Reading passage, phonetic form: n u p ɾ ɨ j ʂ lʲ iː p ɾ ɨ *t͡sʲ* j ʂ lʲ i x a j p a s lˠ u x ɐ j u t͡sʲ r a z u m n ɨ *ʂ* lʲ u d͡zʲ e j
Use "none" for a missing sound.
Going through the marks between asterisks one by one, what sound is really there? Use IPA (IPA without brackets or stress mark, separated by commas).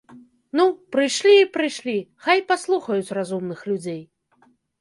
none, x